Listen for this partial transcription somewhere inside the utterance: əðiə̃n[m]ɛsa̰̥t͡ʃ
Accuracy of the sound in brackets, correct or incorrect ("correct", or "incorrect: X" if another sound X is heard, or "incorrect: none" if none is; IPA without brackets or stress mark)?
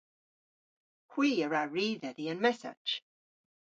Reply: correct